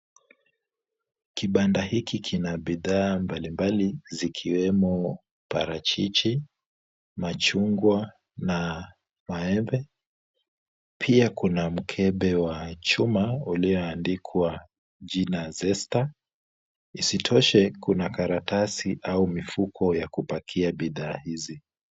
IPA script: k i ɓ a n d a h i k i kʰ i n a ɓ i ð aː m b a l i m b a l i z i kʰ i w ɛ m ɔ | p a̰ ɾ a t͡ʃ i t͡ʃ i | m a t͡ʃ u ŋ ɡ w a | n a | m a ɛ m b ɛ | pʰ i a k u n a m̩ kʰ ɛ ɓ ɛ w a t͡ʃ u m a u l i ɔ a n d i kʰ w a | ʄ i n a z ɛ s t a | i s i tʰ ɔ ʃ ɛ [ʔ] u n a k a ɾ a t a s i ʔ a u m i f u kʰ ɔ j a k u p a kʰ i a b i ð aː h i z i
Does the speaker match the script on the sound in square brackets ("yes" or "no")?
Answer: no